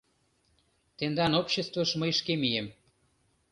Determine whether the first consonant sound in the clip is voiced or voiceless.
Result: voiceless